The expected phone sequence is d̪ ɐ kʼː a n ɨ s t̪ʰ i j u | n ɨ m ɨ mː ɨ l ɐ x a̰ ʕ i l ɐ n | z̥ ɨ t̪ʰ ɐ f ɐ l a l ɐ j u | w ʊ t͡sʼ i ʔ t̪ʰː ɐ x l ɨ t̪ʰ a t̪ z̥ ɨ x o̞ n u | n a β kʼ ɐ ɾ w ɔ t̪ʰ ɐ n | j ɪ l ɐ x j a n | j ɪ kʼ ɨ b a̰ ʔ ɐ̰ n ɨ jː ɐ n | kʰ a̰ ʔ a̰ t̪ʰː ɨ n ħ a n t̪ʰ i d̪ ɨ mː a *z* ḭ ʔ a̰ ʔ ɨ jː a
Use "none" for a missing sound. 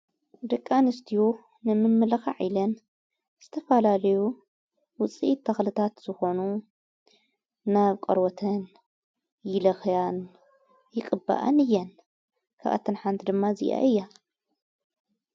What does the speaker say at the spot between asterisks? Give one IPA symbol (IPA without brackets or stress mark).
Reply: z